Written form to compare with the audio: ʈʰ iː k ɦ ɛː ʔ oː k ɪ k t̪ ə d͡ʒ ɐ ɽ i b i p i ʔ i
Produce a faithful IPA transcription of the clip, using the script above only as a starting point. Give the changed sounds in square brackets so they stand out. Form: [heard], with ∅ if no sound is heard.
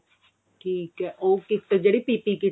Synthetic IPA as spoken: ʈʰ iː k ɦ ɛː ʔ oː k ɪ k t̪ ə d͡ʒ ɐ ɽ i [p] i p i [k] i